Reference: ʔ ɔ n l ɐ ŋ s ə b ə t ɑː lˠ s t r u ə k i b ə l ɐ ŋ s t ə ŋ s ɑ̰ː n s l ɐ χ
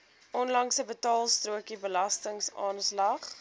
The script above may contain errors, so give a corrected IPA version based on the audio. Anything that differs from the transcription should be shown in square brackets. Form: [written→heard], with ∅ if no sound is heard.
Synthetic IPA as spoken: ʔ ɔ n l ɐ ŋ s ə b ə t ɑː lˠ s t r u ə k i b ə l ɐ [ŋ→∅] s t ə ŋ s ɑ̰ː n s l ɐ χ